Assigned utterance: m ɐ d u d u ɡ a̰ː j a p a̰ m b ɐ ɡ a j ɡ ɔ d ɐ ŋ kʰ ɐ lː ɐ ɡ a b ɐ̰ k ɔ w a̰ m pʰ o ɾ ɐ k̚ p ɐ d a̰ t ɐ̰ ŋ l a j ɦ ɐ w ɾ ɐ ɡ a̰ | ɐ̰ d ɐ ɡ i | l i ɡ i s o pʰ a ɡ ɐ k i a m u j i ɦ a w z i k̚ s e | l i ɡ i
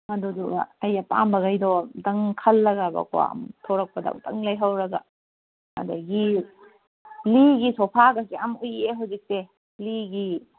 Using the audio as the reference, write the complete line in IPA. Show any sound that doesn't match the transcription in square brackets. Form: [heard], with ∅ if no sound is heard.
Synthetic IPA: m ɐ d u d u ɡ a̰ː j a p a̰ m b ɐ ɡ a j [d] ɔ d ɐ ŋ kʰ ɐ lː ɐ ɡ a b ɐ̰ k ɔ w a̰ m [tʰ] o ɾ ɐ k̚ p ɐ d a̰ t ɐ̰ ŋ l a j ɦ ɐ w ɾ ɐ ɡ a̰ | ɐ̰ d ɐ ɡ i | l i ɡ i s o pʰ a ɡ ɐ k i a m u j [e] ɦ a w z i k̚ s e | l i ɡ i